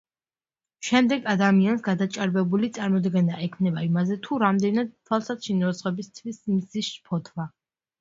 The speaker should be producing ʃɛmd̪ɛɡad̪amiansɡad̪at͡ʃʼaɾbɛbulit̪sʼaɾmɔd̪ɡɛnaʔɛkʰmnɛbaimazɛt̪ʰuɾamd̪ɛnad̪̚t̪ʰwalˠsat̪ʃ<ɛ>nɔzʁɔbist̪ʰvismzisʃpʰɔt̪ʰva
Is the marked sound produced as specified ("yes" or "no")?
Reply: no